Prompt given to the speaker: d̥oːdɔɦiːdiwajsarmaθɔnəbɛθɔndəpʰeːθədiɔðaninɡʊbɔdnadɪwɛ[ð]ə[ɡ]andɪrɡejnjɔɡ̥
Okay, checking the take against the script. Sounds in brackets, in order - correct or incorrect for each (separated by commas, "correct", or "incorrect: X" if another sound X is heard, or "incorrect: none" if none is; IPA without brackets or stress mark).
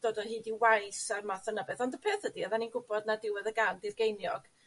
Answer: correct, correct